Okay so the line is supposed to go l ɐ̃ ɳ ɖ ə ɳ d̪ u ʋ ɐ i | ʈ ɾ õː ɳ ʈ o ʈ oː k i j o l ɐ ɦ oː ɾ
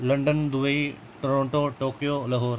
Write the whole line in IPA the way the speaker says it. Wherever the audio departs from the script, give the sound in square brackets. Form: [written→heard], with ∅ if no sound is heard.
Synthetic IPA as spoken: l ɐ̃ ɳ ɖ ə [ɳ→n] d̪ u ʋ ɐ i | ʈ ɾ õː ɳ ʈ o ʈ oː k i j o l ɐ ɦ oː ɾ